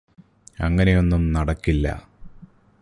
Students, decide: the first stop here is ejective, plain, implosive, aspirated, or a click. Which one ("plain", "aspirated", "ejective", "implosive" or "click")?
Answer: plain